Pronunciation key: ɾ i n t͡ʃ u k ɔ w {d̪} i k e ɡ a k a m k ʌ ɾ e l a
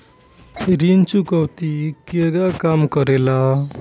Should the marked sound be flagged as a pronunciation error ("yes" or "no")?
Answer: yes